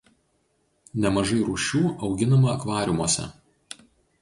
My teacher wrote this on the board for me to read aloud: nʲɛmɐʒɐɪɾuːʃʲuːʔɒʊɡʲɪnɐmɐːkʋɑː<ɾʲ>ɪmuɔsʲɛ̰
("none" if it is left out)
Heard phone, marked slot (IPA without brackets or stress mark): ɾʲ